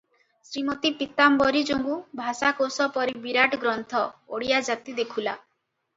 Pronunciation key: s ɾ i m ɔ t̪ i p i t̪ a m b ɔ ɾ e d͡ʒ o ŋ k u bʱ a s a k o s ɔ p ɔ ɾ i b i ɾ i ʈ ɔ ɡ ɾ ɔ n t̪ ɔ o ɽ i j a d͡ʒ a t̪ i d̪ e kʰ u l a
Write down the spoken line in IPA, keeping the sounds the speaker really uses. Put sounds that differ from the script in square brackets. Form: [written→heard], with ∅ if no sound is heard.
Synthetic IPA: s ɾ i m ɔ t̪ i p i t̪ a m b ɔ ɾ [e→i] d͡ʒ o ŋ [k→ɡ] u bʱ a s a k o s ɔ p ɔ ɾ i b i ɾ [i→a] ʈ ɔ ɡ ɾ ɔ n [t̪→t̪ʰ] ɔ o ɽ i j a d͡ʒ a t̪ i d̪ e kʰ u l a